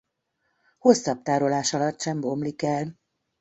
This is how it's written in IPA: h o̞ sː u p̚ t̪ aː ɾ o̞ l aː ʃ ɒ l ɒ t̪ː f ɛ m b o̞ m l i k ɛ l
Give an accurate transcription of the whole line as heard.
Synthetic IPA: h o̞ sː ɒ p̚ t̪ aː ɾ o̞ l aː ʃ ɒ l ɒ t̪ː ʃ ɛ m b o̞ m l i k ɛ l